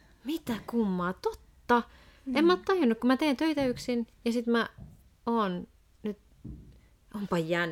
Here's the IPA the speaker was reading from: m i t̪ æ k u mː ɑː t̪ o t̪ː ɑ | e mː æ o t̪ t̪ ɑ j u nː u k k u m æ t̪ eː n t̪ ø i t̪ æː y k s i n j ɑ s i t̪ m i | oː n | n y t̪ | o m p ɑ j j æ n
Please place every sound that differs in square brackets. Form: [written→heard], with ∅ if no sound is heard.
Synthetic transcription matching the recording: m i t̪ æ k u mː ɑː t̪ o t̪ː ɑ | e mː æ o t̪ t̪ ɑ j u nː u k k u m æ t̪ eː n t̪ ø i t̪ [æː→æ] y k s i n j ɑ s i t̪ m [i→æ] | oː n | n y t̪ | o m p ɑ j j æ n